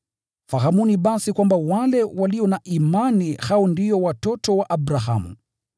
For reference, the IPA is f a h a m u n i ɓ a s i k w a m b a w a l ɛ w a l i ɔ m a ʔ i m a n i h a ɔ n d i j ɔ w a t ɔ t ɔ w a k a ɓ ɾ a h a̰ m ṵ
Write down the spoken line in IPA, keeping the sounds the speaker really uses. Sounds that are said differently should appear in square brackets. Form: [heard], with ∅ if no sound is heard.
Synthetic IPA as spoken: f a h a m u n i ɓ a s i k w a m b a w a l ɛ w a l i ɔ [n] a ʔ i m a n i h a ɔ n d i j ɔ w a t ɔ t ɔ w a [ʔ] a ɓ ɾ a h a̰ m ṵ